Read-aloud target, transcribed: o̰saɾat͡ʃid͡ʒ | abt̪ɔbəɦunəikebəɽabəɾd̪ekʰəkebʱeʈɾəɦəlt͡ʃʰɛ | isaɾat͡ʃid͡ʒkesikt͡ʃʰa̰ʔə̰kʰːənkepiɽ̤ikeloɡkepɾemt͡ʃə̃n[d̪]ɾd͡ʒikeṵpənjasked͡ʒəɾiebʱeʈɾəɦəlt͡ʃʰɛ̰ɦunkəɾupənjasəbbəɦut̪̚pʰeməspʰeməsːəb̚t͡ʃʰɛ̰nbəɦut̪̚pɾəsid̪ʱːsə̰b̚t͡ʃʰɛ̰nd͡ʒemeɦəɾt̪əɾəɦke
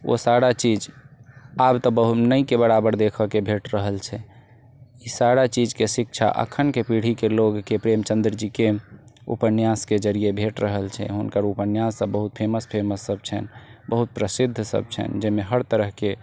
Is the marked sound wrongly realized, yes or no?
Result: no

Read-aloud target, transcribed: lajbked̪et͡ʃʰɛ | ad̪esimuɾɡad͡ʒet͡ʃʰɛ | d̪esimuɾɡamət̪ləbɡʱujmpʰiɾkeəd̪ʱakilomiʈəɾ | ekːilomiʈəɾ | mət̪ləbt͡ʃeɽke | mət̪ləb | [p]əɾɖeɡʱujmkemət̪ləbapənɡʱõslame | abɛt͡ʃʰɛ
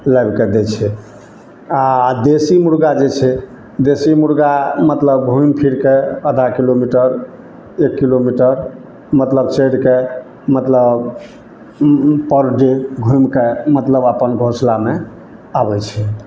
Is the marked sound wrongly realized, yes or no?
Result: no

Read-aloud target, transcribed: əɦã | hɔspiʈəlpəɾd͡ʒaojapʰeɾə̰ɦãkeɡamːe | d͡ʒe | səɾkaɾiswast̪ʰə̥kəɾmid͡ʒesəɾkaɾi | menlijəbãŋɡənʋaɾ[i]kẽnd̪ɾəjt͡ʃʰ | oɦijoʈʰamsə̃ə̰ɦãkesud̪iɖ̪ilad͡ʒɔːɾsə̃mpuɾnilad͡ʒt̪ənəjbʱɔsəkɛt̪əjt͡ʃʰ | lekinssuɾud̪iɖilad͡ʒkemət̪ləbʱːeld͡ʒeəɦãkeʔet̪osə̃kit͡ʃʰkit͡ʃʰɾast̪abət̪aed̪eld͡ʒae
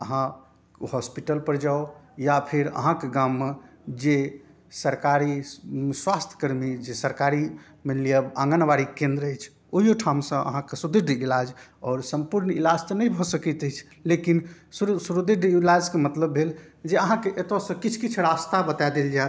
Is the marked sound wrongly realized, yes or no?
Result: no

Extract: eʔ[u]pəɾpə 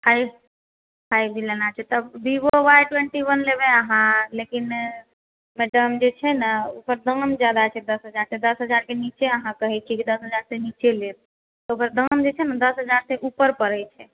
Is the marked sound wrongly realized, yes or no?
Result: no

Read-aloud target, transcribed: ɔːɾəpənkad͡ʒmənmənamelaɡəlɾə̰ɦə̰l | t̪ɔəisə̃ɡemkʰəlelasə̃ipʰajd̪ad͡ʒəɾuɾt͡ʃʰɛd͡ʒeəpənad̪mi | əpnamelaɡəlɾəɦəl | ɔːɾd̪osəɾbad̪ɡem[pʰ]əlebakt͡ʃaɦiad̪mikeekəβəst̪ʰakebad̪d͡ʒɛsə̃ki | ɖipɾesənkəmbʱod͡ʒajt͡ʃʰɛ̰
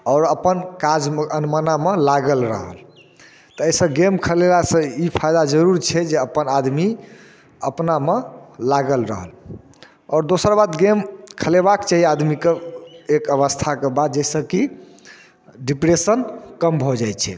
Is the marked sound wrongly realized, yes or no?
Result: yes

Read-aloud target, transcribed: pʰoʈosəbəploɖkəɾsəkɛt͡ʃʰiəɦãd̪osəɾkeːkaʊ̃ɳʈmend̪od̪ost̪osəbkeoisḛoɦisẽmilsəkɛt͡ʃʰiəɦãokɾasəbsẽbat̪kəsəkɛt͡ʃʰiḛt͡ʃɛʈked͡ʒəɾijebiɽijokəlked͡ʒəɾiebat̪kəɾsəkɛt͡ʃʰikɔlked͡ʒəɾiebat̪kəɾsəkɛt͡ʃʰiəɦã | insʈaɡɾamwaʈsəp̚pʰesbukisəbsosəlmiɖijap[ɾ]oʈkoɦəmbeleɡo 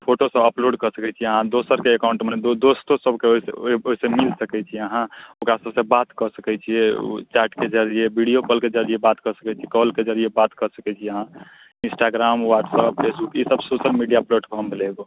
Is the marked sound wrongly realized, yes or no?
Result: yes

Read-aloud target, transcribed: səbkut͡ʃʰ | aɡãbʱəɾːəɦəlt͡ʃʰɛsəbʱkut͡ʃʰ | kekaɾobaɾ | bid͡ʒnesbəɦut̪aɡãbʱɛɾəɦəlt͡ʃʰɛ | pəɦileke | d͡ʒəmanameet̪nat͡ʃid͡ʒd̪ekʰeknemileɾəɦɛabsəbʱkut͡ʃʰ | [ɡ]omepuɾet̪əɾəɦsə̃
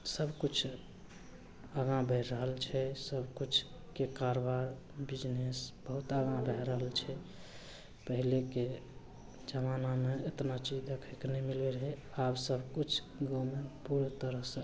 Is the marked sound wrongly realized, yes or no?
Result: no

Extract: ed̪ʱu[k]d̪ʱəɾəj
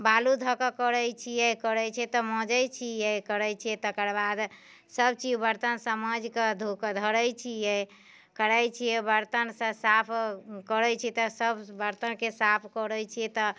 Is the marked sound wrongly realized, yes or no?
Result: no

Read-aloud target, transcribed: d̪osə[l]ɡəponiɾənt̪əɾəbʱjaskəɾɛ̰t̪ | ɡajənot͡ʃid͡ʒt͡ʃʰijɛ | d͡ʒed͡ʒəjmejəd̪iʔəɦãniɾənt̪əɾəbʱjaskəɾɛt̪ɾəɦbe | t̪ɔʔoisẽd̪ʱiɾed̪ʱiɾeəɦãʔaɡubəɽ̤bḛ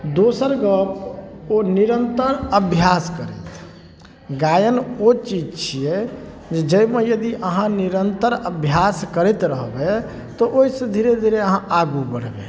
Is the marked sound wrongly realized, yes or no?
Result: yes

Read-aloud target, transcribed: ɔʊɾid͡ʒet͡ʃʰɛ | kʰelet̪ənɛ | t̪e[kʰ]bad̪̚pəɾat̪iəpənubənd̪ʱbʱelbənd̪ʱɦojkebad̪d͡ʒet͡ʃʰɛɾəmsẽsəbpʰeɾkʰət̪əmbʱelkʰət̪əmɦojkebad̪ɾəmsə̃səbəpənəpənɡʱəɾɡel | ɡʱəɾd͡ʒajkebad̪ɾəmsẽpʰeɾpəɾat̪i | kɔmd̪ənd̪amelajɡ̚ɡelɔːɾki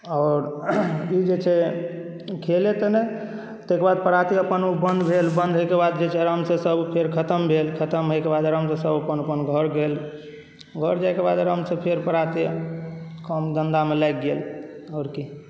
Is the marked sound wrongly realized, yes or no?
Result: yes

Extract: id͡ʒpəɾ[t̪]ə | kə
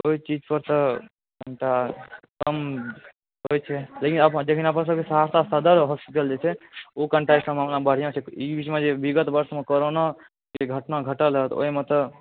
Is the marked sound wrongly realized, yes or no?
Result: no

